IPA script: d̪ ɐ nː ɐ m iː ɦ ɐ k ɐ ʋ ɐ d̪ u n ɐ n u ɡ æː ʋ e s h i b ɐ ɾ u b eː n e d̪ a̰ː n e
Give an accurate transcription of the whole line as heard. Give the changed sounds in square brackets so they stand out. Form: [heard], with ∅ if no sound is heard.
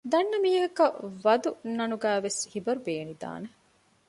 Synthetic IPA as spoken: d̪ ɐ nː ɐ m iː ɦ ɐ k ɐ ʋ ɐ d̪ u n ɐ n u ɡ æː ʋ e s h i b ɐ ɾ u b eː n [i] d̪ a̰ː n e

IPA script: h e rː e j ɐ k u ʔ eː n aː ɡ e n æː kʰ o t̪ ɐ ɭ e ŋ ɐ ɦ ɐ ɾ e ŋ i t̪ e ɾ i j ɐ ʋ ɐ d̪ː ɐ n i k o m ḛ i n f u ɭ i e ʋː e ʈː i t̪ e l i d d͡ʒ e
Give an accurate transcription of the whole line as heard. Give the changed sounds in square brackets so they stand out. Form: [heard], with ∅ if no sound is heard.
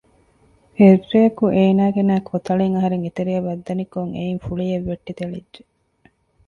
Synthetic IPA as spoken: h e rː e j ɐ k u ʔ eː n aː ɡ e n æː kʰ o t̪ ɐ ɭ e ŋ ɐ ɦ ɐ ɾ e ŋ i t̪ e ɾ i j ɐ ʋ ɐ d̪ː ɐ n i k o [ŋ] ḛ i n f u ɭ i e ʋː e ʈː i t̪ e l i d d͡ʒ e

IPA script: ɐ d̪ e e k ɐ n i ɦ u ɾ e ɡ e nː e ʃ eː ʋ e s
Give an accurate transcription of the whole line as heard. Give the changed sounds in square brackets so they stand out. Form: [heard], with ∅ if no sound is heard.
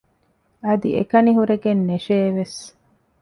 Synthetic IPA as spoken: ɐ d̪ [i] e k ɐ n i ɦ u ɾ e ɡ e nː e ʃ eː ʋ e s

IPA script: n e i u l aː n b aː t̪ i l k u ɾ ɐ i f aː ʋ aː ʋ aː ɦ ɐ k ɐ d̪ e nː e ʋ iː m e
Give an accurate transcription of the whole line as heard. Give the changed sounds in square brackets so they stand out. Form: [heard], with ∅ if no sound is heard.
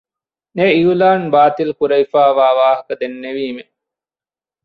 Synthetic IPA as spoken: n e i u l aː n b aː t̪ i l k u ɾ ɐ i f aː ʋ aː ʋ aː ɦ ɐ k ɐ d̪ e nː e ʋ iː m e

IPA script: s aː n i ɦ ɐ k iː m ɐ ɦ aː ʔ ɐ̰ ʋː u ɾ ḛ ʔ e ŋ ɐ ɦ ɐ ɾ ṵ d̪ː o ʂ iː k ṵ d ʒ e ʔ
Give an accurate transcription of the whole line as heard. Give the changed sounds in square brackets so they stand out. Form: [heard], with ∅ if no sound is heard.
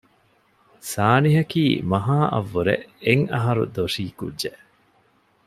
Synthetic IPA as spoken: s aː n i ɦ ɐ k iː m ɐ ɦ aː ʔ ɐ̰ ʋː u ɾ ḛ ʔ e ŋ ɐ ɦ ɐ ɾ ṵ [d̪] o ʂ iː k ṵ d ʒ e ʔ

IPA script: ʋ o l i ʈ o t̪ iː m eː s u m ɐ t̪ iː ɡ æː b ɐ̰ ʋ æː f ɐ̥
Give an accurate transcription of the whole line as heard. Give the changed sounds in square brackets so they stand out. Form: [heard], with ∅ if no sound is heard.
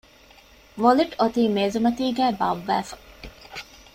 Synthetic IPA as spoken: ʋ o l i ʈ o t̪ iː m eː [z] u m ɐ t̪ iː ɡ æː b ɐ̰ [ʋː] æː f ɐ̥

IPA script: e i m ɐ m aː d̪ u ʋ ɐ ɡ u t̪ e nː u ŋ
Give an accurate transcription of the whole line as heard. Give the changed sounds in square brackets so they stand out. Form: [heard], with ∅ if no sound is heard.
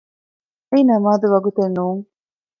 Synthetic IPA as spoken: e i [n] ɐ m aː d̪ u ʋ ɐ ɡ u t̪ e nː [uː] ŋ

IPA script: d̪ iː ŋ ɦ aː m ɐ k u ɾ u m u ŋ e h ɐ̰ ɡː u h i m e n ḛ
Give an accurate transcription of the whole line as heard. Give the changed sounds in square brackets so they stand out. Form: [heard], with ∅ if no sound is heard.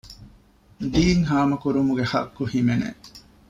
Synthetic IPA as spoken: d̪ iː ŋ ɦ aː m ɐ k u ɾ u m u [ɡ] e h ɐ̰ [kː] u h i m e n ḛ

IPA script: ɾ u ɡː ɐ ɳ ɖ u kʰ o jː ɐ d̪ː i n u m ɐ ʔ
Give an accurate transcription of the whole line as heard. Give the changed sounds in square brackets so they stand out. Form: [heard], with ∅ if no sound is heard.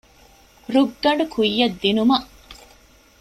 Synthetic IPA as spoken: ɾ u ɡː ɐ ɳ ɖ u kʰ [u] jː ɐ d̪ː i n u m ɐ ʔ

